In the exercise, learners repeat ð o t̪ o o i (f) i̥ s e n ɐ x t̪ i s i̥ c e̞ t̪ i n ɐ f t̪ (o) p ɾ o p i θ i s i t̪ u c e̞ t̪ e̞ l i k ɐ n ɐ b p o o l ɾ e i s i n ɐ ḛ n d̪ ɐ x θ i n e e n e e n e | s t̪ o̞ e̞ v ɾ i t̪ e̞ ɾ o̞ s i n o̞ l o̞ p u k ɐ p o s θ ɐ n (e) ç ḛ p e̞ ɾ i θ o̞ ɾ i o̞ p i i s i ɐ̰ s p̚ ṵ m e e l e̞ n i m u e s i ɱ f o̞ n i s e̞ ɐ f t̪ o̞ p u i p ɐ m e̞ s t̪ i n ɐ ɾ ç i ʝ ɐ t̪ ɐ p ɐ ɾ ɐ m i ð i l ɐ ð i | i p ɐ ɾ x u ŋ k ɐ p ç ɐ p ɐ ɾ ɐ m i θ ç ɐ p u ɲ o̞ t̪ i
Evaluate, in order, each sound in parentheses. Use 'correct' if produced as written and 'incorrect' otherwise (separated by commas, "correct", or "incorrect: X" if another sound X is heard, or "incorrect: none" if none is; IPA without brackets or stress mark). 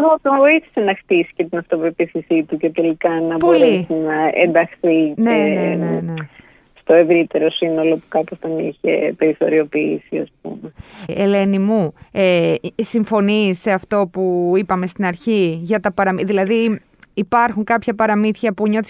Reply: incorrect: θ, correct, incorrect: i